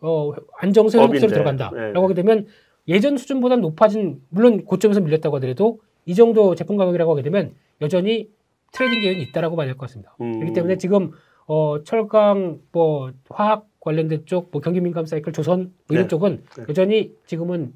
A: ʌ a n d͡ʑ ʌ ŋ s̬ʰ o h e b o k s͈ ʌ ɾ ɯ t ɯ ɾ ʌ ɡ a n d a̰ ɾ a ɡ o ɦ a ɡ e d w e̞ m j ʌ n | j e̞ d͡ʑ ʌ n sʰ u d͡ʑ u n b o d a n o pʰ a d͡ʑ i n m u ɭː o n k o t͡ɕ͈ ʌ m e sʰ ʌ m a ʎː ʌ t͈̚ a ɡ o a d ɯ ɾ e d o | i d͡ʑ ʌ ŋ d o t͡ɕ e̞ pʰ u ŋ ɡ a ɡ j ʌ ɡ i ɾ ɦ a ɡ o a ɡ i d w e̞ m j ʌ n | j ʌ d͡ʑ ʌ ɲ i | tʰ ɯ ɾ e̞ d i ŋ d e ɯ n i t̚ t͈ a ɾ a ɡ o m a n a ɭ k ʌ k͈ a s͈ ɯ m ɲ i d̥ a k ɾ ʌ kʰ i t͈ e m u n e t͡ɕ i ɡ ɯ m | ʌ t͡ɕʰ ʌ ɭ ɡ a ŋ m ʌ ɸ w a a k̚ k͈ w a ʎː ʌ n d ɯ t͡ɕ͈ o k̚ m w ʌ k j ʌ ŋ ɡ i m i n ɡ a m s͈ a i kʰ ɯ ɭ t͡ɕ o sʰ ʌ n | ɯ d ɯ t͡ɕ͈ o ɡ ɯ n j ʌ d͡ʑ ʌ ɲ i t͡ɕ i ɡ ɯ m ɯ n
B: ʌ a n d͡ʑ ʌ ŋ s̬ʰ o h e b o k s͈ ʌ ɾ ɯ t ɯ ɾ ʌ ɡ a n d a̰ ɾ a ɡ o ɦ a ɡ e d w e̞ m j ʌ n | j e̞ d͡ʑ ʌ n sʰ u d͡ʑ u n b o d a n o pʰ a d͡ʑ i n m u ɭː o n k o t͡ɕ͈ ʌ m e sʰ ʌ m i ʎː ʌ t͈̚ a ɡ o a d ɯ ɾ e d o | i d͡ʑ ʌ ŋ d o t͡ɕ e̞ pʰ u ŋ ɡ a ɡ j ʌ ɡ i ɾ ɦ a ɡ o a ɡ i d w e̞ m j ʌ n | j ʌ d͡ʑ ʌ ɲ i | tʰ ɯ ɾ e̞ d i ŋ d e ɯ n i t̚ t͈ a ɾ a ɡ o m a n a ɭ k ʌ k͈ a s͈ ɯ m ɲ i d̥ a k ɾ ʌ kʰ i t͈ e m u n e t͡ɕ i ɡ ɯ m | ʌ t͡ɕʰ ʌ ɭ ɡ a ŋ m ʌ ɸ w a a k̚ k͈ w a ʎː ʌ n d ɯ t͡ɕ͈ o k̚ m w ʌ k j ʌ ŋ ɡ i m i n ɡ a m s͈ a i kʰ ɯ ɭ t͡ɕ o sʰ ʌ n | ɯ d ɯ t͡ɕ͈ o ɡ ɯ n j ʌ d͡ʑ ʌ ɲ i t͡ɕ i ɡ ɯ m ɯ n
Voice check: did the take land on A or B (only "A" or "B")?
B